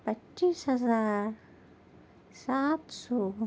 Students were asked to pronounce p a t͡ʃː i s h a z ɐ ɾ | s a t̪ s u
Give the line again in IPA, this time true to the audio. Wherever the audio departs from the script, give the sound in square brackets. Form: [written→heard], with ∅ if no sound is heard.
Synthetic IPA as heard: p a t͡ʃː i s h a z [ɐ→a] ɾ | s a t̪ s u